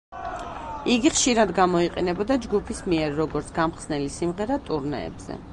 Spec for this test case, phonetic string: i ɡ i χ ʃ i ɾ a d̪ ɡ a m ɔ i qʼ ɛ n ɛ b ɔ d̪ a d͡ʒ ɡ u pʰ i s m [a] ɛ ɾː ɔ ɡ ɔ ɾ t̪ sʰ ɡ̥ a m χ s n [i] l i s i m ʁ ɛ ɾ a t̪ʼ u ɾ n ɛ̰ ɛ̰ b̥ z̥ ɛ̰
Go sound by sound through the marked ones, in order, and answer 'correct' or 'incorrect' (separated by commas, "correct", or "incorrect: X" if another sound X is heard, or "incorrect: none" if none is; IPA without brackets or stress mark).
incorrect: i, incorrect: ɛ